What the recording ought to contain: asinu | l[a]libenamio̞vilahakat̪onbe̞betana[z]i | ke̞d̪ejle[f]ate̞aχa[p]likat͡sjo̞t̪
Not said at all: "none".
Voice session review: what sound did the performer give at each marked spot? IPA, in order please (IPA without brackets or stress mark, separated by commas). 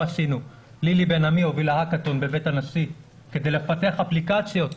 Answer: i, s, f, p